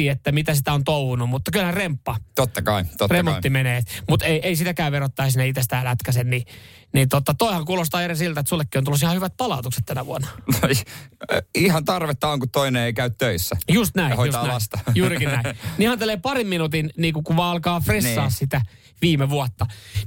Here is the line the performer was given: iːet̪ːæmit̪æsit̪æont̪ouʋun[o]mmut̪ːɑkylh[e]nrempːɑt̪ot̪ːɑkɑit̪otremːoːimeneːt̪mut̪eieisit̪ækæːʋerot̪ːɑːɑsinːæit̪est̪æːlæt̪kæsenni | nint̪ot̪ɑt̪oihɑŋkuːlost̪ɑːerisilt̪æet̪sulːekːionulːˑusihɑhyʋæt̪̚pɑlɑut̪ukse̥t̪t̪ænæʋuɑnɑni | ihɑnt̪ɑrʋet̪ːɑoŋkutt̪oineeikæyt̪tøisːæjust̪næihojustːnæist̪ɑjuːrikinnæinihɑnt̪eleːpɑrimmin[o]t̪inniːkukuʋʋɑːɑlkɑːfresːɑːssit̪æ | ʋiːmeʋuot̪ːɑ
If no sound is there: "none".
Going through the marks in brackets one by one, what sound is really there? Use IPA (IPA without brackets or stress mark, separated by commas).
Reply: u, æ, u